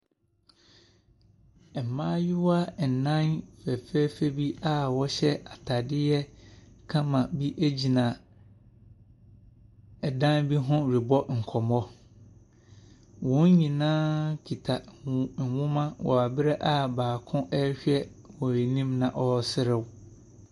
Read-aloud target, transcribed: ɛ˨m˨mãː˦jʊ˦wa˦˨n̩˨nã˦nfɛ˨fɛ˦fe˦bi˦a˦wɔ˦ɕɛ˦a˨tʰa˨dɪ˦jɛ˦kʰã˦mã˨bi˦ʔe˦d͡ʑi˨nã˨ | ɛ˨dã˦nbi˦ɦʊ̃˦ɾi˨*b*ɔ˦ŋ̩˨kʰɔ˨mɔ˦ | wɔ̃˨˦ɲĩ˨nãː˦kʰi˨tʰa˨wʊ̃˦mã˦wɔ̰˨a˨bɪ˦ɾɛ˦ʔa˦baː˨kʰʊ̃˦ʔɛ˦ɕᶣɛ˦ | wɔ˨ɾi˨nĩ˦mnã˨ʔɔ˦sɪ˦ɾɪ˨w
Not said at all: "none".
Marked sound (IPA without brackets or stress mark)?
b